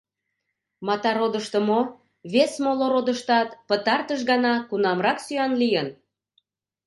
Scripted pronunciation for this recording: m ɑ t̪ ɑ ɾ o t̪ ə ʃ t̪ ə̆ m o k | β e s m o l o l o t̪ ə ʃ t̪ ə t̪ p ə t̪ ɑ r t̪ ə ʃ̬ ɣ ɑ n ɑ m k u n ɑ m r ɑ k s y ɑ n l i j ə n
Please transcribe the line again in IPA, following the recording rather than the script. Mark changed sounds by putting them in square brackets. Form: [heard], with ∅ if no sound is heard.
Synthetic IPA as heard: m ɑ t̪ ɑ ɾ o [d̪] ə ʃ t̪ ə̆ m o [∅] | β e s m o l o [ɾ] o [d̪] ə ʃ t̪ [ɑ] t̪ p ə t̪ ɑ r t̪ ə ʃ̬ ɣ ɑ n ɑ [∅] k u n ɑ m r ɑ k s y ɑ n l i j ə n

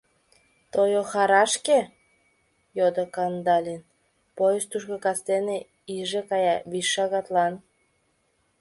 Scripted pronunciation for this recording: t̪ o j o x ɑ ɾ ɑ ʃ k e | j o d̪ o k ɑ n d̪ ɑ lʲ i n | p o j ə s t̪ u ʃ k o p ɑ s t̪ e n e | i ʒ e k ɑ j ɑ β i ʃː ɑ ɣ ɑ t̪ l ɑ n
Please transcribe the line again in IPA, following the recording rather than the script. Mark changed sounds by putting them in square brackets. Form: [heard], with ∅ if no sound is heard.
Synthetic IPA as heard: t̪ o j o x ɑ ɾ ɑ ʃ k e | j o d̪ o k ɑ n d̪ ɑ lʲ i n | p o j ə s t̪ u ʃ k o [k] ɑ s t̪ e n e | i ʒ e k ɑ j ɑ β i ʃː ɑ ɣ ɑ t̪ l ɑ n

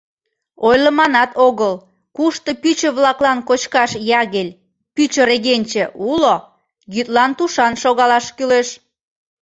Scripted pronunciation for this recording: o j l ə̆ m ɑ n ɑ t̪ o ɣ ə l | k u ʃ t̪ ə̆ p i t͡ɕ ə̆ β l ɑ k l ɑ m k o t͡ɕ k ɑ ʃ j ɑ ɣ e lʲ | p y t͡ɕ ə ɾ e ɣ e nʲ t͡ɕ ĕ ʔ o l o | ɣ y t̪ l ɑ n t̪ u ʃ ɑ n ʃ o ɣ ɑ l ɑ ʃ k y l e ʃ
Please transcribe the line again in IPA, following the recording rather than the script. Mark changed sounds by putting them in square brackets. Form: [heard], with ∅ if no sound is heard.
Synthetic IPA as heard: o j l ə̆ m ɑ n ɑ t̪ o ɣ ə l | k u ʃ t̪ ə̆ p [y] t͡ɕ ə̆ β l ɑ k l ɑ [n] k o t͡ɕ k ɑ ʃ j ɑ ɣ e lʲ | p y t͡ɕ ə ɾ e ɣ e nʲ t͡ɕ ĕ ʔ [u] l o | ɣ y t̪ l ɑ n t̪ u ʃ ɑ n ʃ o ɣ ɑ l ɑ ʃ k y l e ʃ

